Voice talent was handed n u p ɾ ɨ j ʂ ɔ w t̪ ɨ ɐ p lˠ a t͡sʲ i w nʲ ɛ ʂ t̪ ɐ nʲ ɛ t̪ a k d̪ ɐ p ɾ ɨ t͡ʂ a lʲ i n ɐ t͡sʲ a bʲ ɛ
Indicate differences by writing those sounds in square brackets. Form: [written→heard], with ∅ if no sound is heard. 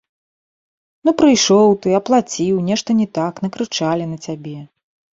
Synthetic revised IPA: n u p ɾ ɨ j ʂ ɔ w t̪ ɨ ɐ p lˠ a t͡sʲ i w nʲ ɛ ʂ t̪ ɐ nʲ ɛ t̪ a k [d̪→n̪] ɐ [p→k] ɾ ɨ t͡ʂ a lʲ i n ɐ t͡sʲ a bʲ ɛ